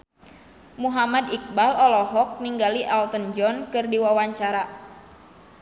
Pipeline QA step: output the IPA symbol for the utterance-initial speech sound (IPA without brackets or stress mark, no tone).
m